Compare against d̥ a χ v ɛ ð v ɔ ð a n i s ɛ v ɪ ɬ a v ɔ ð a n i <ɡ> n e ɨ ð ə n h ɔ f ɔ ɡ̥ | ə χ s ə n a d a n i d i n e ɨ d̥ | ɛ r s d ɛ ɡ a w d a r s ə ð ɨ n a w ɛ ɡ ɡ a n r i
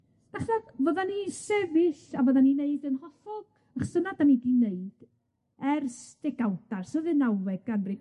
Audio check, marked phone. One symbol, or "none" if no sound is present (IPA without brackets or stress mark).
none